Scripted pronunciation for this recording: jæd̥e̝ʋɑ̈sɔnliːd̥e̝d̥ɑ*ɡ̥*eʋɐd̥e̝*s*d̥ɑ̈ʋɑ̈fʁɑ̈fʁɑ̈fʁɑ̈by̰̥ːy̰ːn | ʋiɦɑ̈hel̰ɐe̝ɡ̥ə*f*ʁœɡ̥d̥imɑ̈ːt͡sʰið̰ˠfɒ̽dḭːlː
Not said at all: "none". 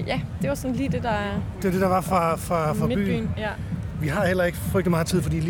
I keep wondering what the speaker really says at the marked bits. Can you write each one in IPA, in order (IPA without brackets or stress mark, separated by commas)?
d̥, none, f